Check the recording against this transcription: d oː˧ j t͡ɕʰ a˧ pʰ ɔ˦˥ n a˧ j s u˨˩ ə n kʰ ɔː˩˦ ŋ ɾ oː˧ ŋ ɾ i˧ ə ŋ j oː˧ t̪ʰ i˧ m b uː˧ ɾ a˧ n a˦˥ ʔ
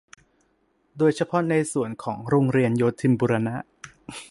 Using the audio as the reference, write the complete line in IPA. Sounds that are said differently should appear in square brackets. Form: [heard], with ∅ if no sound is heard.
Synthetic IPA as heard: d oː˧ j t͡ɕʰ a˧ pʰ ɔ˦˥ n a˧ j s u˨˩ ə n kʰ ɔː˩˦ ŋ ɾ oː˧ ŋ ɾ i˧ ə [n] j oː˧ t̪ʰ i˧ m b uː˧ ɾ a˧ n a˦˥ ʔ